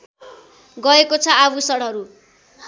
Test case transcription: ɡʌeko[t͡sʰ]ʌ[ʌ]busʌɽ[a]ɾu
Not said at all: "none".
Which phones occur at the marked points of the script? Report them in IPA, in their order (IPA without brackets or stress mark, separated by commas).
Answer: t͡sʰ, a, ʌ